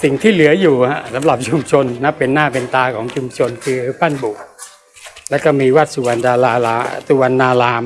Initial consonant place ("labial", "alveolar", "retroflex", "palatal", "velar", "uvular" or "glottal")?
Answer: alveolar